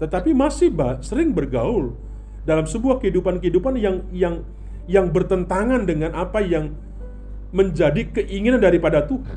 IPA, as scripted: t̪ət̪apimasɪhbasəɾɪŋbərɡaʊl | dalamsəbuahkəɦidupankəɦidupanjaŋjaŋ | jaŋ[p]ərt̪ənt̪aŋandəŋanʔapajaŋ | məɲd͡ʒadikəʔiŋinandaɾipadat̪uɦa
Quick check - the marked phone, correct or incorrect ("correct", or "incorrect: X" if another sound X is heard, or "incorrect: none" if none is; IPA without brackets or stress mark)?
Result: incorrect: b